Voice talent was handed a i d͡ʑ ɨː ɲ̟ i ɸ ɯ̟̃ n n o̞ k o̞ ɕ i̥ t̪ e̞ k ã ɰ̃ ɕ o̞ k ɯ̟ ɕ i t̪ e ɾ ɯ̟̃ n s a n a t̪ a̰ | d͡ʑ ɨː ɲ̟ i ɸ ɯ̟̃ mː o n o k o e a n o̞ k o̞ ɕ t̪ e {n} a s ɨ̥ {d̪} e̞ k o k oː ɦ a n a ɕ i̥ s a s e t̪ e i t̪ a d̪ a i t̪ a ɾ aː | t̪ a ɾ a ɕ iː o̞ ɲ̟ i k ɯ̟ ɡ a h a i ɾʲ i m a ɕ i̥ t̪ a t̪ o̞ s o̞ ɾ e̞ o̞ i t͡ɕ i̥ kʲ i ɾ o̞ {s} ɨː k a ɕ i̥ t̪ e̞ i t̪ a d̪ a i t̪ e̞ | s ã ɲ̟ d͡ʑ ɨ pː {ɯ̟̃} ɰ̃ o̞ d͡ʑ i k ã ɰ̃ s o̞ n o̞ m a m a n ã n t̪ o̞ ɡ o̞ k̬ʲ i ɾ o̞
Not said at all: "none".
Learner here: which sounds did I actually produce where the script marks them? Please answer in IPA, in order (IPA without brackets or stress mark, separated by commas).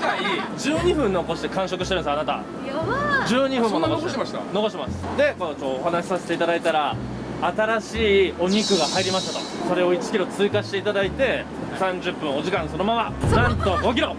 m, d̪, t͡s, ɯ̟̃